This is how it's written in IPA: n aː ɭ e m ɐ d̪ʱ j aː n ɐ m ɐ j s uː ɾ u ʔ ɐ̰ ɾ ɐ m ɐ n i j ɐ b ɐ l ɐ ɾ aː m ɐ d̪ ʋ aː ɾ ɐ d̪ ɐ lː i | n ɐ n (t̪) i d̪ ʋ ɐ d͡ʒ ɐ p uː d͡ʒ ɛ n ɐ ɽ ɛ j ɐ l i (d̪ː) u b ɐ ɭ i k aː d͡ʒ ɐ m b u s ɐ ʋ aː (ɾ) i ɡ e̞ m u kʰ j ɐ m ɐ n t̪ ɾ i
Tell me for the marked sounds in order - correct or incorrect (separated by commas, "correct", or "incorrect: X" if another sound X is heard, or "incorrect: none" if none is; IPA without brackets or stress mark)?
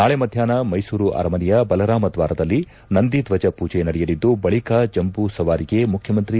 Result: incorrect: d̪, correct, correct